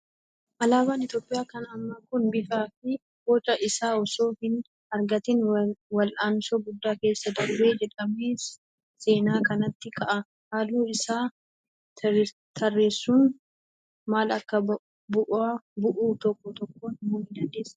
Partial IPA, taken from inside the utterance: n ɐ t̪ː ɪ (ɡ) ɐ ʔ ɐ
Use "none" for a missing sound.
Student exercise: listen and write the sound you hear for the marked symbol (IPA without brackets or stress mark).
k